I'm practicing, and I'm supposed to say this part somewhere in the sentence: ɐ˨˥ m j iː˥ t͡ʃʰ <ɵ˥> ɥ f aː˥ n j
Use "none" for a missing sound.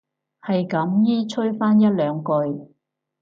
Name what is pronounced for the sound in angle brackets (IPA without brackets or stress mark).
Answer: ɵ˥